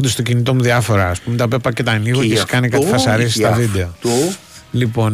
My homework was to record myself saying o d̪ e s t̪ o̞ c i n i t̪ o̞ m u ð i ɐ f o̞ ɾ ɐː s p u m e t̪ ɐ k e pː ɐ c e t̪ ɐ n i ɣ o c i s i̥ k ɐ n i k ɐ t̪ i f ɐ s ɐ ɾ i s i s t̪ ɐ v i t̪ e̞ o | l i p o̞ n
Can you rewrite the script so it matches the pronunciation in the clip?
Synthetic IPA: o d̪ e s t̪ o̞ c i n i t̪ o̞ m u ð i ɐ f o̞ ɾ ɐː s p u m e t̪ ɐ p e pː ɐ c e t̪ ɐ n i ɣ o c e s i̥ k ɐ n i k ɐ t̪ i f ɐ s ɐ ɾ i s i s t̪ ɐ v i d̪ e̞ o | l i p o̞ n